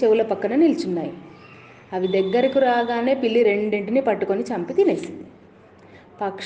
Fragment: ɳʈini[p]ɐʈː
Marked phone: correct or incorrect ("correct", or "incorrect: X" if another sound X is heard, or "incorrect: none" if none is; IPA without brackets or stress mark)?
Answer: correct